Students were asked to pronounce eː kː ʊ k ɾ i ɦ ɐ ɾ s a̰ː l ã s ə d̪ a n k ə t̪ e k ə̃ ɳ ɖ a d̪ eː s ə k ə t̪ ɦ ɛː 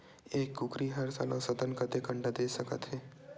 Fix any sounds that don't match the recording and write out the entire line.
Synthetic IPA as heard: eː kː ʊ k ɾ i ɦ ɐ ɾ s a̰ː l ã s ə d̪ ə n k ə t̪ e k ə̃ ɳ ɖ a d̪ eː s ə k ə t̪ ɦ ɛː